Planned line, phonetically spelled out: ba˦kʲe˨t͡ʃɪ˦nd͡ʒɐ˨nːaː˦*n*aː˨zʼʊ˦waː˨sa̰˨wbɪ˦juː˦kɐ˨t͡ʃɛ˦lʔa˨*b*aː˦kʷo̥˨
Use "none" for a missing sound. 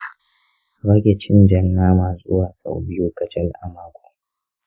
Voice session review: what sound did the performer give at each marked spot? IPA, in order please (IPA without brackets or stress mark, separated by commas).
m, m